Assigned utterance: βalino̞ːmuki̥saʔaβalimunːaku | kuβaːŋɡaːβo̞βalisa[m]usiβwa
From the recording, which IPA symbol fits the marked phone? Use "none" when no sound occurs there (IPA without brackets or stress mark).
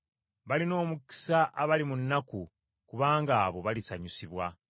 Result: ɲ